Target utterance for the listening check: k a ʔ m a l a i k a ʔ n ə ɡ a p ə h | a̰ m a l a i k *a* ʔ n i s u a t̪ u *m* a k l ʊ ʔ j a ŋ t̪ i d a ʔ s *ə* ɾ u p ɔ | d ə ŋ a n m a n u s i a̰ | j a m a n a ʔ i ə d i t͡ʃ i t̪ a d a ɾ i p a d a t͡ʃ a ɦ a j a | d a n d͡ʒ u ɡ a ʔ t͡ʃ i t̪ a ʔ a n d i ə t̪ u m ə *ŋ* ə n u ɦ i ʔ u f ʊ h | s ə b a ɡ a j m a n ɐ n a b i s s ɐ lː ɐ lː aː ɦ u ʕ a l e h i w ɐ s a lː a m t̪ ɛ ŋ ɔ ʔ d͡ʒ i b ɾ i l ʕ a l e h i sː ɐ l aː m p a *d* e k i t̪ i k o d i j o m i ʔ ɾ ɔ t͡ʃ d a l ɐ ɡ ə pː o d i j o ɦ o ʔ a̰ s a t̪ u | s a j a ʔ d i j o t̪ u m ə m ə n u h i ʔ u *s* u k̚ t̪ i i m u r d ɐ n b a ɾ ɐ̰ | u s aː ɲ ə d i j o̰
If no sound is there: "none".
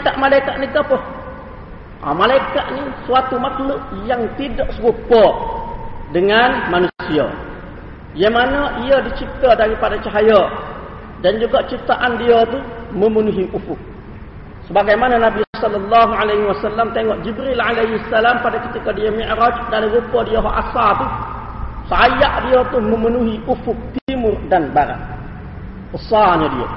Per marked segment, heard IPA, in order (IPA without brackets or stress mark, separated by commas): a, m, ə, m, d, f